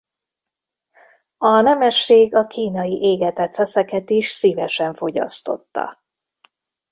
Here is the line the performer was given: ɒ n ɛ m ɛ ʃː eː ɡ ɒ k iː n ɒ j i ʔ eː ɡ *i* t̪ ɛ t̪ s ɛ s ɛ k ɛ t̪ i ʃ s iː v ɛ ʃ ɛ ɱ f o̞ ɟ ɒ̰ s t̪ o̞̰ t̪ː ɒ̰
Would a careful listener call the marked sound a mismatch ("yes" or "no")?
yes